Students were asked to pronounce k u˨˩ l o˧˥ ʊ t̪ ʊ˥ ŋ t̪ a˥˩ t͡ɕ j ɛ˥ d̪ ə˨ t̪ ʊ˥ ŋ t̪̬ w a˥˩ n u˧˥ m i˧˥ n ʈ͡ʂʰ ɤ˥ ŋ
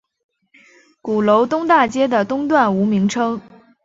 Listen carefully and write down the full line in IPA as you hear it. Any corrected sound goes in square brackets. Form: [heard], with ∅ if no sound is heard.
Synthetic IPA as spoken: k u˨˩ l o˧˥ ʊ t̪ ʊ˥ ŋ t̪ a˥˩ t͡ɕ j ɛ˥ d̪ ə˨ t̪ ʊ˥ ŋ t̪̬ w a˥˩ n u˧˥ m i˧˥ [ŋ] ʈ͡ʂʰ ɤ˥ ŋ